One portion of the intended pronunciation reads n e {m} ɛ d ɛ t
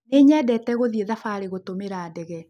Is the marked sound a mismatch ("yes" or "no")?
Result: yes